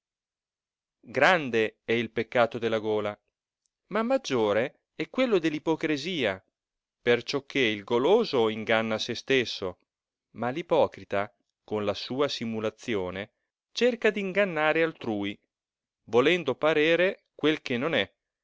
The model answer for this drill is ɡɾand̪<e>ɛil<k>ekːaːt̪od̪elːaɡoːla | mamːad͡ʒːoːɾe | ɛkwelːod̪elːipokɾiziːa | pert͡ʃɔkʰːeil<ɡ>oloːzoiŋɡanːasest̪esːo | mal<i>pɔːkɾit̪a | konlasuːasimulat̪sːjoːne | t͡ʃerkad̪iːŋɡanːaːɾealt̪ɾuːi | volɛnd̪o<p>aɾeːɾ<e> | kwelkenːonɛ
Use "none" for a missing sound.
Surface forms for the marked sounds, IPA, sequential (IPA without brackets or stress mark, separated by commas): e, p, ɡ, i, p, e